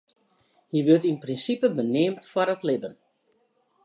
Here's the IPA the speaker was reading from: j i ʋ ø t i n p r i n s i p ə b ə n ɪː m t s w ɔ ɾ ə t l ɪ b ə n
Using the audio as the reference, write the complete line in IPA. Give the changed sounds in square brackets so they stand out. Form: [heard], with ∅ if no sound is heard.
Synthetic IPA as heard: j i ʋ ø t i n p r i n s i p ə b ə n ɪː m t [f] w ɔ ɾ ə t l ɪ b ə n

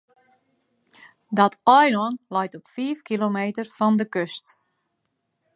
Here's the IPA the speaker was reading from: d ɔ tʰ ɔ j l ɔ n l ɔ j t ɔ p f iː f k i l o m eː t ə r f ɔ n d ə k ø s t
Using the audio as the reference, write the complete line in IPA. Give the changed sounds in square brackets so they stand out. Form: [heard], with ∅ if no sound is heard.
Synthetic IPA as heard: d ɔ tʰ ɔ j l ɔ n l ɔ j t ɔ p f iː f k i l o m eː t ə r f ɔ n d ə k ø s t

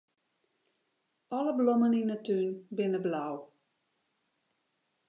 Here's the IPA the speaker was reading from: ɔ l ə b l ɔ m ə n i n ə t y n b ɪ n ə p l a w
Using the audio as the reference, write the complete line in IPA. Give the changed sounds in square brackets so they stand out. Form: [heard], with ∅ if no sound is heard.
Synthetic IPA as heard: ɔ l ə b l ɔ m ə n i n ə t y n b ɪ n ə [b] l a w

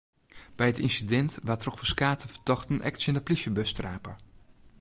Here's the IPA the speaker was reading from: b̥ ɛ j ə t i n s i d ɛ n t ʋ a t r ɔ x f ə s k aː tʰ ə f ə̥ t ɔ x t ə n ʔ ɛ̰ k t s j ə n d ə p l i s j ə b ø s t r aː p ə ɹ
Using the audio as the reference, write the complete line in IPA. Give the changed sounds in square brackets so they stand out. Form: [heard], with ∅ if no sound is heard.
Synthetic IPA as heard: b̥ ɛ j ə t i n s i d ɛ n t ʋ a t r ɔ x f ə s k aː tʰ ə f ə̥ t ɔ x t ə n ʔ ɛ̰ k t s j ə n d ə p l i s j ə b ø s t r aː p ə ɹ

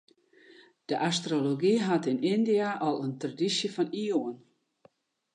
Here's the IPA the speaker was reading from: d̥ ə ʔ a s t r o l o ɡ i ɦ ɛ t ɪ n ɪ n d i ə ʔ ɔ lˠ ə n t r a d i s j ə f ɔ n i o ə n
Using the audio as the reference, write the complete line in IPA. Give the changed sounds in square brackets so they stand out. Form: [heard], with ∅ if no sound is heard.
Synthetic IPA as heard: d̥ ə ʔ a s t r o l o ɡ i ɦ [a] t ɪ n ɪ n d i [a] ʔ ɔ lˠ ə n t r a d i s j ə f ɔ n i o ə n

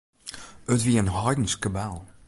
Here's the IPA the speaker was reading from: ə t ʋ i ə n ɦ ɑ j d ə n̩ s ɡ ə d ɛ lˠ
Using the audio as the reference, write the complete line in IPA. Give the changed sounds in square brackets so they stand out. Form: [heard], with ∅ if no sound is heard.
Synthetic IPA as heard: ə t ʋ i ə n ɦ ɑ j d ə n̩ s [k] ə [b] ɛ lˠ

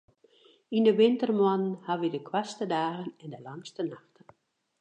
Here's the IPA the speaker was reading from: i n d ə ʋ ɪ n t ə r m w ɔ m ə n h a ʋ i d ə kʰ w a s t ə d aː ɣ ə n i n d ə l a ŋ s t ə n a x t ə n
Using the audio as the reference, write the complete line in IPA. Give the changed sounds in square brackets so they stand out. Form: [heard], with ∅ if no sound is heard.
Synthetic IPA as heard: i n d ə ʋ ɪ n t ə r m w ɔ [n] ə n h a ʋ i d ə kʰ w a s t ə d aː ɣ ə n [ɛ] n d ə l a ŋ s t ə n a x t ə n

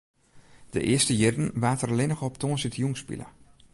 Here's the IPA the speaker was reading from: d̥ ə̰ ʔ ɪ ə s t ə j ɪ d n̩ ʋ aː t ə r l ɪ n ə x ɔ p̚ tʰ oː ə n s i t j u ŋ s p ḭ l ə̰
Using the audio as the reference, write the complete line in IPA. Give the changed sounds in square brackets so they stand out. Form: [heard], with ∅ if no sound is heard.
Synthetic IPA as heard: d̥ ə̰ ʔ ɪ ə s t ə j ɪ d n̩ ʋ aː t ə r l ɪ n ə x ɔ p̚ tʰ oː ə n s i t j u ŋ s p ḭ l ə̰

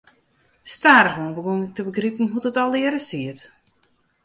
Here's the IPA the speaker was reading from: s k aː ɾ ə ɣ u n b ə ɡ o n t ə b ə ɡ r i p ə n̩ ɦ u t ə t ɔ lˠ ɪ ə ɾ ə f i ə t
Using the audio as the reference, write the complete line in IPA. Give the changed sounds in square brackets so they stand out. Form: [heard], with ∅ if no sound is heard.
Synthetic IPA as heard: s [t] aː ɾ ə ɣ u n b ə ɡ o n t ə b ə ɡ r i p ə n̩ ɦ u t ə t ɔ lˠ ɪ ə ɾ ə [s] i ə t

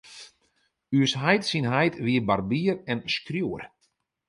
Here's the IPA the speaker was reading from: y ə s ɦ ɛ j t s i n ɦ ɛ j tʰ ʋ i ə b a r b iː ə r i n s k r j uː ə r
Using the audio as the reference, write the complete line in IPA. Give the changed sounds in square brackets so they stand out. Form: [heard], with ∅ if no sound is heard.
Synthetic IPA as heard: y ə s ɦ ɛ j t s i n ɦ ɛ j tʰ ʋ i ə b a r b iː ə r [ɛ] n s k r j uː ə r

